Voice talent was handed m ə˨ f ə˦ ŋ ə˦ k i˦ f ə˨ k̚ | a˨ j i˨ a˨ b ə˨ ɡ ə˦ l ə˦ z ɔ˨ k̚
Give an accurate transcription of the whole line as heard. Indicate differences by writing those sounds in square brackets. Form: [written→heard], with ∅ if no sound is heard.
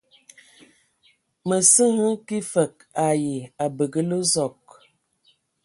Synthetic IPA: m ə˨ [f→s] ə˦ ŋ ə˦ k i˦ f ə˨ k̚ | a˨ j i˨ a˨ b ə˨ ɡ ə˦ l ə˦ z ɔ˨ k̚